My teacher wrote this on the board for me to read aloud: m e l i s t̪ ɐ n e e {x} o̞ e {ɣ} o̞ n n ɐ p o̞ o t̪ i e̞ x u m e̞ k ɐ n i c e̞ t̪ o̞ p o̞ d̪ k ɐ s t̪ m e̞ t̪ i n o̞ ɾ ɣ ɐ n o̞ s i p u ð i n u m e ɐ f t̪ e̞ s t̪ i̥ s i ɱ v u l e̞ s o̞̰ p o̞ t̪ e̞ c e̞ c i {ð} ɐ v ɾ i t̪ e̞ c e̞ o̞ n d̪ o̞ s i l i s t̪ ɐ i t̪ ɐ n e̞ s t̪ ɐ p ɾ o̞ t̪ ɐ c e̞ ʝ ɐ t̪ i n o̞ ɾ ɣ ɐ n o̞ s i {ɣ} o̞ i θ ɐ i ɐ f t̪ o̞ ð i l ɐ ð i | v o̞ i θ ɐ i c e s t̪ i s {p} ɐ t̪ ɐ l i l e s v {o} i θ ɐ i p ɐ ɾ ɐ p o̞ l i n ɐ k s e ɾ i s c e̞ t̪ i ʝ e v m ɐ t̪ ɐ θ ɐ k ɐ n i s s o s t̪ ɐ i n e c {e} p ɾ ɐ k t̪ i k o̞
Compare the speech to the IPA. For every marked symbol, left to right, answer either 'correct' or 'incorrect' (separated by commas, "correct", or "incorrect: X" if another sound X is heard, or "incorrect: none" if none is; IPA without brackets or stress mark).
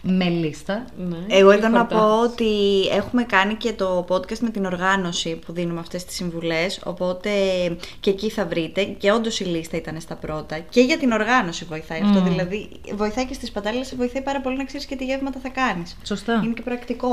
incorrect: ɣ, incorrect: ð, incorrect: θ, incorrect: v, correct, correct, correct